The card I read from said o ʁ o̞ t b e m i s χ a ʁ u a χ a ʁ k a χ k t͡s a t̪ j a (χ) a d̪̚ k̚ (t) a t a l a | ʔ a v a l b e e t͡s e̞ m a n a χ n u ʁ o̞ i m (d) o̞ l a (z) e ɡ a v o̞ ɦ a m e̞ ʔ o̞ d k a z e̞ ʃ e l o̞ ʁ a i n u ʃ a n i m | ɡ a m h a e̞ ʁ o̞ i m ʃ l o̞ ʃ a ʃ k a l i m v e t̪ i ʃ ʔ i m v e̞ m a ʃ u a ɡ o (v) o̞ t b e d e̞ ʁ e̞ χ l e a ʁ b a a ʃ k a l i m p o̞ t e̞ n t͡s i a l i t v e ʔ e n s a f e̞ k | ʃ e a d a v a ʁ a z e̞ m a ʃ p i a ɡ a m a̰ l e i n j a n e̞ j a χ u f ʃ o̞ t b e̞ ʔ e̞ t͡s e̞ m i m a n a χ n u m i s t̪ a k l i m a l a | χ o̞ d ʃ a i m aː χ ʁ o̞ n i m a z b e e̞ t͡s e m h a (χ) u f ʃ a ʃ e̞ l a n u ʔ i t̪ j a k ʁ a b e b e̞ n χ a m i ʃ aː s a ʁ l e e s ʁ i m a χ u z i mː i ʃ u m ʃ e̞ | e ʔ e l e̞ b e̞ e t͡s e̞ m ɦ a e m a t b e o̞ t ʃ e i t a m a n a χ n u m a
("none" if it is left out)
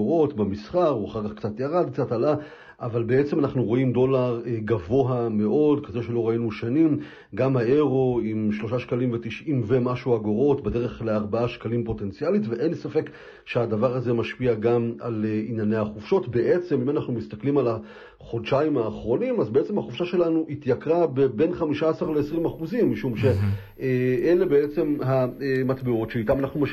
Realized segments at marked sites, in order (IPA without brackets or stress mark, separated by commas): ʁ, t͡s, d, ʁ, ʁ, χ